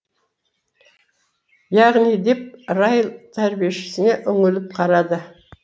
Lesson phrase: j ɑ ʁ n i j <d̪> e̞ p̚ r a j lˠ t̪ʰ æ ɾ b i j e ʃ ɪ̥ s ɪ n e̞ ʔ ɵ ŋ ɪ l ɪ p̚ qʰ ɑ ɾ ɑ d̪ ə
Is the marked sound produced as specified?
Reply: yes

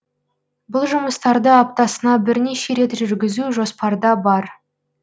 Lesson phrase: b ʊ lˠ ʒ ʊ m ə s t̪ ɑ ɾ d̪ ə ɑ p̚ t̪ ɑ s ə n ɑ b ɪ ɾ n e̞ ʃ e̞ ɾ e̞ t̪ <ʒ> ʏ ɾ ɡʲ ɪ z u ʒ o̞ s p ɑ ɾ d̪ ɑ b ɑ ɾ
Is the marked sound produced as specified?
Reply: yes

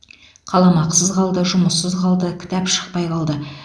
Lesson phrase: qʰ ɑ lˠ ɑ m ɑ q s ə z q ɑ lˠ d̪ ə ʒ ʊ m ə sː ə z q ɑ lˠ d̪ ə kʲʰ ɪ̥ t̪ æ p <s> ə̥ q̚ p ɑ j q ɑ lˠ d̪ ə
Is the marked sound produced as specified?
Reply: no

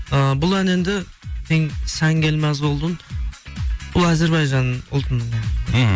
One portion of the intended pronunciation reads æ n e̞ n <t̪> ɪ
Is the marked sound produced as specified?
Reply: no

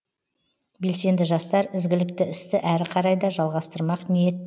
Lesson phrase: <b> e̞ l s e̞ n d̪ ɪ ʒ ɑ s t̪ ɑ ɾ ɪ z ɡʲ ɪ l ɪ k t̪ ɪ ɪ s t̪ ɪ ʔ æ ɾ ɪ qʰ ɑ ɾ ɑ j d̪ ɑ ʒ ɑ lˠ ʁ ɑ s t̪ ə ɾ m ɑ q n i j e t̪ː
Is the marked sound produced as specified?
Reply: yes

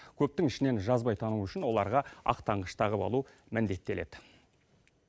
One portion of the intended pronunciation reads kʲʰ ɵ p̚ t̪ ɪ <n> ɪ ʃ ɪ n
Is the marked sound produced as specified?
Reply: no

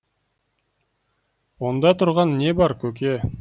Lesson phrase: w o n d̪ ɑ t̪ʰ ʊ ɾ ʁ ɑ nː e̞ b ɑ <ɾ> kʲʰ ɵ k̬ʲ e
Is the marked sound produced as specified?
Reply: yes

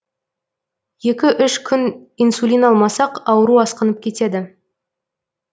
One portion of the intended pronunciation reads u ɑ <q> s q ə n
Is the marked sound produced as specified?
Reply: no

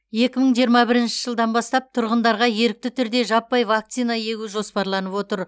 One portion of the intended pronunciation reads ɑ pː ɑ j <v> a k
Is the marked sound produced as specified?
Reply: yes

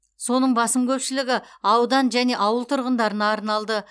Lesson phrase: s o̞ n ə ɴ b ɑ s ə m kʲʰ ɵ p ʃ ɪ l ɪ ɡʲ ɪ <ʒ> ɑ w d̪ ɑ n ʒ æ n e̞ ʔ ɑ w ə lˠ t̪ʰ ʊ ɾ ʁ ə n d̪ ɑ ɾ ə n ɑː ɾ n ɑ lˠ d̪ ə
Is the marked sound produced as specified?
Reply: no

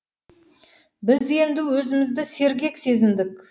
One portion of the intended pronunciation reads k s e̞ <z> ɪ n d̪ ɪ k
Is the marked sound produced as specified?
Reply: yes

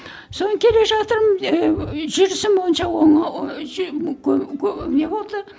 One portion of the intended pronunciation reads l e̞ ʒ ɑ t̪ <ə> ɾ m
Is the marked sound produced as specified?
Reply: yes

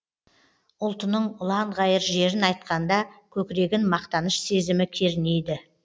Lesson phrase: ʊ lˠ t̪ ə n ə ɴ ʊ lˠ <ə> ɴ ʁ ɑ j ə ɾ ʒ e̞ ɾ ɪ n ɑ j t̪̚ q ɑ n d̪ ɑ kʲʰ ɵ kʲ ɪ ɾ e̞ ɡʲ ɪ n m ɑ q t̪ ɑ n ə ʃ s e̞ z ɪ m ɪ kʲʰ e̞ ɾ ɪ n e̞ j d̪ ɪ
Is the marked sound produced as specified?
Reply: no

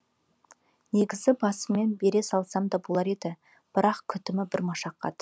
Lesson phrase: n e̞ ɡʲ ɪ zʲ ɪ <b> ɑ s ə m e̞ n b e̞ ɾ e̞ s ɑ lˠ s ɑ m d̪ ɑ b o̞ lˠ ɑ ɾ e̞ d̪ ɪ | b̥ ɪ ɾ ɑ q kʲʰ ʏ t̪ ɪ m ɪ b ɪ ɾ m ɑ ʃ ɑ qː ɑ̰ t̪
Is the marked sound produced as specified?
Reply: yes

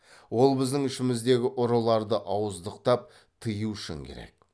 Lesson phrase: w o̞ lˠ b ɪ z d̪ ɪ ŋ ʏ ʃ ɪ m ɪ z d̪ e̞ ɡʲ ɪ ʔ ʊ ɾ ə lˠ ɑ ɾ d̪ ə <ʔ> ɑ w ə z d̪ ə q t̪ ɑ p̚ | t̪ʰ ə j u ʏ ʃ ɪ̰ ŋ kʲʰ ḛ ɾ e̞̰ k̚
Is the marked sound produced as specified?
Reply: yes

